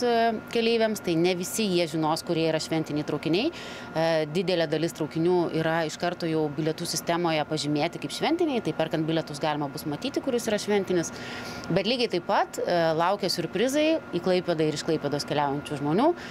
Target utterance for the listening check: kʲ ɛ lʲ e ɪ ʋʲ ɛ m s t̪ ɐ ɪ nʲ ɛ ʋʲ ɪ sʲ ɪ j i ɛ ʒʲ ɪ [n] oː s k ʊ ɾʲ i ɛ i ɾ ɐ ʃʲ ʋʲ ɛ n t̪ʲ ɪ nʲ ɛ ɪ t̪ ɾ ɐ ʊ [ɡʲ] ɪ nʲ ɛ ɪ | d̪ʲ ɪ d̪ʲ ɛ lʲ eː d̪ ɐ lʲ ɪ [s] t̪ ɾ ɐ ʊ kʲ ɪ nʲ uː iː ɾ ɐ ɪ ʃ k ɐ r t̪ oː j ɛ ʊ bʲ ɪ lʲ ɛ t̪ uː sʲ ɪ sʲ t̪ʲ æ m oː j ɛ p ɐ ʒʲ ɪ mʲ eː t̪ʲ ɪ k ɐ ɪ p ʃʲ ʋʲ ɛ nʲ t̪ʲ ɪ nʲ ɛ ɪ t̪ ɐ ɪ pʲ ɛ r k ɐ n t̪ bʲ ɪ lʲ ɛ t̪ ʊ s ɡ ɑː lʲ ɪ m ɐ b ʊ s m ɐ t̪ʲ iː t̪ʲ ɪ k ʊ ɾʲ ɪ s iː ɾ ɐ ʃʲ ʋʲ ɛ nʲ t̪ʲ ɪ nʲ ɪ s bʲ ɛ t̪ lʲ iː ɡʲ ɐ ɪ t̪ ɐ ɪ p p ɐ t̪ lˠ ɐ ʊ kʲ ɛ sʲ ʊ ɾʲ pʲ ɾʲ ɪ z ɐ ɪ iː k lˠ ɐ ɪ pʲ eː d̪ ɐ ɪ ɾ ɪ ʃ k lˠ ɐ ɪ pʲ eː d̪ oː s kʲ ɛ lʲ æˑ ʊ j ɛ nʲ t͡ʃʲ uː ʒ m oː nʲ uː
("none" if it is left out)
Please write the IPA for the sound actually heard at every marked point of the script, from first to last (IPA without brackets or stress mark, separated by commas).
n, kʲ, s